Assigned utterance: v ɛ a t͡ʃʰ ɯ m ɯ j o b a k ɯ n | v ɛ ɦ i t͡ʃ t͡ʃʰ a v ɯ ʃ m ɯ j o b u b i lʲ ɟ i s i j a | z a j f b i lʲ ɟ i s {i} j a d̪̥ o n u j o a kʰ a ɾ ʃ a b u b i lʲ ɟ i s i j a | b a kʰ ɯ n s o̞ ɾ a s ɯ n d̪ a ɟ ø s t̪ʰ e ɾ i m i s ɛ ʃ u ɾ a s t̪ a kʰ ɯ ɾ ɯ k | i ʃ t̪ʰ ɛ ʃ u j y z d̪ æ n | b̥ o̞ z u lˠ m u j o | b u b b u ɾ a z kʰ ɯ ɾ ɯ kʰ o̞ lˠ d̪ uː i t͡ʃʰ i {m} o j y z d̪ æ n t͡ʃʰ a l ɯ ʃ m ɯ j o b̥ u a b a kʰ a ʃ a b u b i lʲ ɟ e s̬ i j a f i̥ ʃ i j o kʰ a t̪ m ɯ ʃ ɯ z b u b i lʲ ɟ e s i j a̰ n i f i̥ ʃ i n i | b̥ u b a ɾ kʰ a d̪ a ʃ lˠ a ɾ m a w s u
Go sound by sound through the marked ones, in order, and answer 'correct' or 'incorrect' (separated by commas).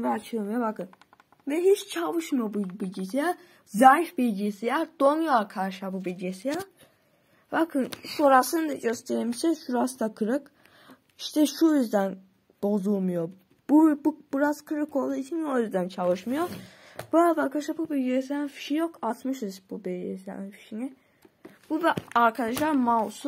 correct, incorrect